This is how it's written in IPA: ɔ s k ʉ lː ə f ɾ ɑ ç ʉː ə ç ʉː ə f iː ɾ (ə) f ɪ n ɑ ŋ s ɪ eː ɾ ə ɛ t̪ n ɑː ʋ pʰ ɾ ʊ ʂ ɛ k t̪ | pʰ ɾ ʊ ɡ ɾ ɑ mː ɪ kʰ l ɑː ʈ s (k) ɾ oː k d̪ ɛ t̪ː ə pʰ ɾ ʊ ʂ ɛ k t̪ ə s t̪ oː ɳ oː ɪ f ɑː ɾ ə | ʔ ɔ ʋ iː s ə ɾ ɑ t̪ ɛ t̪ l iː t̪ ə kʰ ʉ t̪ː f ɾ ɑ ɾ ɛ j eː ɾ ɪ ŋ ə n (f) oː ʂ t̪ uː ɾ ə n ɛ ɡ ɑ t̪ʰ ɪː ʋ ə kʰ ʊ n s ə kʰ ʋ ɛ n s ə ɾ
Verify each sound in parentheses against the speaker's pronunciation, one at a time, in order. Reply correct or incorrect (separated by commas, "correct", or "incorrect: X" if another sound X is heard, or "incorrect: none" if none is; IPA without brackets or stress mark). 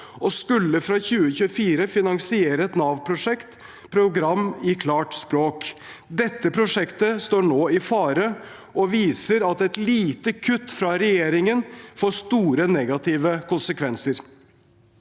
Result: correct, incorrect: p, correct